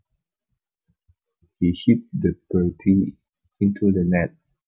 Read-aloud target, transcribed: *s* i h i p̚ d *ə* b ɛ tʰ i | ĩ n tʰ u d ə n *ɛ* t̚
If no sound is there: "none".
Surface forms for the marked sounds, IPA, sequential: h, ə, ɛ

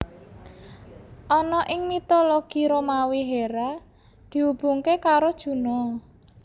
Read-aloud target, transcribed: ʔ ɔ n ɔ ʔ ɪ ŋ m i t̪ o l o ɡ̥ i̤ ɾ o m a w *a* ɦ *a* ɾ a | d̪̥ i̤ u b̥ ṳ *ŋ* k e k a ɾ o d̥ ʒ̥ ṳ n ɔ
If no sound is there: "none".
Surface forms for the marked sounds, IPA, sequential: i, e, ŋ

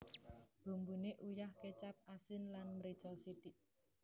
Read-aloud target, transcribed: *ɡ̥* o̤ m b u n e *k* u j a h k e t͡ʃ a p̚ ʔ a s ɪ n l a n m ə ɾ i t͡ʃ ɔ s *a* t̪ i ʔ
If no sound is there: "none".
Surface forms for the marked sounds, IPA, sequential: b̥, ʔ, i

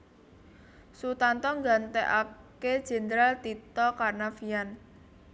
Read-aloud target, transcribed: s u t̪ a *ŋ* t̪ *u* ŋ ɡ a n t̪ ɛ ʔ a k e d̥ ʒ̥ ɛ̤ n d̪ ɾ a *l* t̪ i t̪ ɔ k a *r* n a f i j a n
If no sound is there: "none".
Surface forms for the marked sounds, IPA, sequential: n, ɔ, l, r

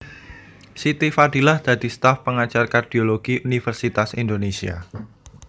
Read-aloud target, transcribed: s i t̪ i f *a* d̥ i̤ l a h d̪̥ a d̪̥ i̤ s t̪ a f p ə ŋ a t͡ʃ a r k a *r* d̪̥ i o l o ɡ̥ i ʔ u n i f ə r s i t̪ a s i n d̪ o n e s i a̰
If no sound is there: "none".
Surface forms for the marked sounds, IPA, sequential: a, r

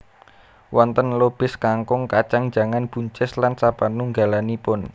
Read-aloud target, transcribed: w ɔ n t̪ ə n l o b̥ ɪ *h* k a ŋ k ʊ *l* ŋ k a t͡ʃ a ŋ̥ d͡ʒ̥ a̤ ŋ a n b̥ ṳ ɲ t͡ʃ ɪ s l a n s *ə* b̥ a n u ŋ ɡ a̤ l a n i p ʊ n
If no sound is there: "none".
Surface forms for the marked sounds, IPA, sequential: s, none, a

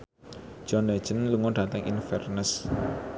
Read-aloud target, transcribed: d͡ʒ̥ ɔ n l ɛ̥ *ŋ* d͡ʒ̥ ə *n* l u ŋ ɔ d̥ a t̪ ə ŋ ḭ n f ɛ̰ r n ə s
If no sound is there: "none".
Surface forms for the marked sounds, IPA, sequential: none, n

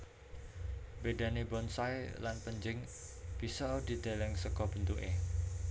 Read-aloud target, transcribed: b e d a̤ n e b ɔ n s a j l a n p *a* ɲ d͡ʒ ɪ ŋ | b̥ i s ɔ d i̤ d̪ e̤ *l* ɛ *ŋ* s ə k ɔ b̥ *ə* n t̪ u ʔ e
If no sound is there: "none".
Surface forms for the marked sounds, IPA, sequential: ə, l, ŋ, ə

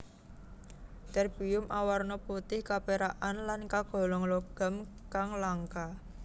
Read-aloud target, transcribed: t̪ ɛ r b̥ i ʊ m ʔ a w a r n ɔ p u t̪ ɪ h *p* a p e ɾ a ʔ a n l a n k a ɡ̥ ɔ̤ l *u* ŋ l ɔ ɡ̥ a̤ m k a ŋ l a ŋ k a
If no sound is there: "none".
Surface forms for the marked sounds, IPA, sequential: k, ɔ

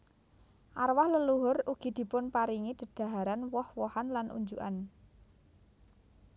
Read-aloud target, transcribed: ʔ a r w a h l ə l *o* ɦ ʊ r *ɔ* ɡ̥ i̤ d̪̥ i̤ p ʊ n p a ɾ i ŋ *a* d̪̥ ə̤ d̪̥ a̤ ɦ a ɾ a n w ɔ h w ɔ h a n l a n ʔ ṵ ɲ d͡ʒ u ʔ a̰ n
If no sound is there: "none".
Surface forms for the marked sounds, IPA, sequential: u, u, i

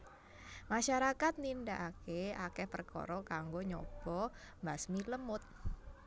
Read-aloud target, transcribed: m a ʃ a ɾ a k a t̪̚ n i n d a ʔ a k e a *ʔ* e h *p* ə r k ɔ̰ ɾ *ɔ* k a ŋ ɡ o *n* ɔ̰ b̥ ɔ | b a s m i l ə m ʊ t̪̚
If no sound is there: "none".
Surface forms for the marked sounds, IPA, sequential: k, p, ɔ, ɲ

